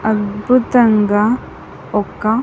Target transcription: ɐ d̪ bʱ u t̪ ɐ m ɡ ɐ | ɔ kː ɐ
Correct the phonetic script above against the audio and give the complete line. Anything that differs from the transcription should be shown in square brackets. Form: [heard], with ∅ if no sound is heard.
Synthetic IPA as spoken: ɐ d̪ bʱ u t̪ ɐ [ŋ] ɡ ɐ | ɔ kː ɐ